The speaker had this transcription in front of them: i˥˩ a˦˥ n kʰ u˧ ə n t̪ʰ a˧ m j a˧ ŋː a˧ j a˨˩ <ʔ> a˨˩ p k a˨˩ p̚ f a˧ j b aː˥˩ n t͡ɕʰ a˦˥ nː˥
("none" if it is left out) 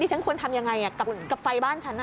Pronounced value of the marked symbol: k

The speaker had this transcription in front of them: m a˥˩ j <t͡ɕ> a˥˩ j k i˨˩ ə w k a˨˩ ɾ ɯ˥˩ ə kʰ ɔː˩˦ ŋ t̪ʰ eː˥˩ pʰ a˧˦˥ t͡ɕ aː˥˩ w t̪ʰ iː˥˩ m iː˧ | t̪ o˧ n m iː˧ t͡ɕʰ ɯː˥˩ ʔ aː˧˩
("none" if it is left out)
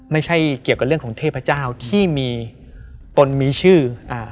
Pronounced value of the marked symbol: t͡ɕʰ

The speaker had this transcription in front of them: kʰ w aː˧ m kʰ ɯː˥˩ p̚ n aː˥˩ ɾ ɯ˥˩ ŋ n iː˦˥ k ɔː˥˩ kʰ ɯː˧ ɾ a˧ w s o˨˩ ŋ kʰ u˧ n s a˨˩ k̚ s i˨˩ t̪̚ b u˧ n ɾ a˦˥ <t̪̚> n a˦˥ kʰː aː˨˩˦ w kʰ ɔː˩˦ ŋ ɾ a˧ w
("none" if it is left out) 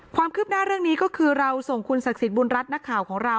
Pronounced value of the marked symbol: t̪̚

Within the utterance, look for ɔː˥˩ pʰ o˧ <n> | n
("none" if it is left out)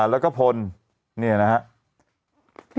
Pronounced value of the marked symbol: n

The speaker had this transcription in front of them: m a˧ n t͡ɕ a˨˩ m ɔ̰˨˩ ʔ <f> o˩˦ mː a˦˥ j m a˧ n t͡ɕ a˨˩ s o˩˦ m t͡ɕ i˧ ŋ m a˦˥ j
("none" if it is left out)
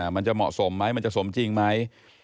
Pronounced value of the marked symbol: s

